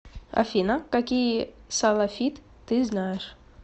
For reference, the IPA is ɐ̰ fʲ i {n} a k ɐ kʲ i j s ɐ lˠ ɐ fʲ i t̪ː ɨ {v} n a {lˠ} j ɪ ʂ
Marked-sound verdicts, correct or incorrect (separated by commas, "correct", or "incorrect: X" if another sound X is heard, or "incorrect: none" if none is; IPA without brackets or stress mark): correct, incorrect: z, incorrect: none